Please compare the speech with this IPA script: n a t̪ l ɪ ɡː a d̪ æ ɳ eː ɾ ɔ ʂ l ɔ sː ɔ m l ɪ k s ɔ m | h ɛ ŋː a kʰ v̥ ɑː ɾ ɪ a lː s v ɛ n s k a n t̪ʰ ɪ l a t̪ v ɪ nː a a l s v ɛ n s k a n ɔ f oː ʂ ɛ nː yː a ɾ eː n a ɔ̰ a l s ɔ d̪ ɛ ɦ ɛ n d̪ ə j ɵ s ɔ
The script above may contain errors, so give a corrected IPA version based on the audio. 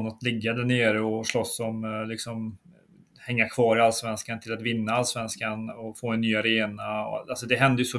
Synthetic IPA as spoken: n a t̪ l ɪ ɡː a d̪ æ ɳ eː ɾ ɔ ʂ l ɔ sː ɔ m l ɪ k s ɔ m | h ɛ ŋː a kʰ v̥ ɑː ɾ ɪ a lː s v ɛ n s k a n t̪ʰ ɪ l a t̪ v ɪ nː a a l s v ɛ n s k a n ɔ f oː ɛ nː yː a ɾ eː n a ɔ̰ a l s ɔ d̪ ɛ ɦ ɛ n d̪ ə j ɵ s ɔ